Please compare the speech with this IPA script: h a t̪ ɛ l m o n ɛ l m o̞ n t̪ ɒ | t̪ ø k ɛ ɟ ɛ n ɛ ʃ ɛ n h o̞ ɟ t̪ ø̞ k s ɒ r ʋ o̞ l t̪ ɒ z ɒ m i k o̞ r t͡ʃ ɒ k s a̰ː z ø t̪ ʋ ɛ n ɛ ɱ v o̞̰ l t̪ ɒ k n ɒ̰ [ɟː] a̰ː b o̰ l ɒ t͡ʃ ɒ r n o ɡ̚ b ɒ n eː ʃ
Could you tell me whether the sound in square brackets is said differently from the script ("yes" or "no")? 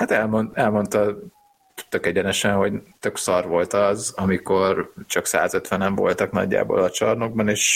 no